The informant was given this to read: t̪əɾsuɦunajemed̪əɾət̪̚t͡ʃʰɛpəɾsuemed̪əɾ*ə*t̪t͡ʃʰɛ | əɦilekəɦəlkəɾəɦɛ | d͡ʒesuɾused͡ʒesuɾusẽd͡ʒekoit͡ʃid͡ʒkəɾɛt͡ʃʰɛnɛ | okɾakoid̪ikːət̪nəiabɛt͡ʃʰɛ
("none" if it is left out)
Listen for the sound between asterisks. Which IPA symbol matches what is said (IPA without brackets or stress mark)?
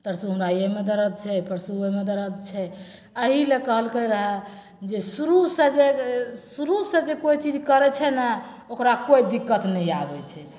ə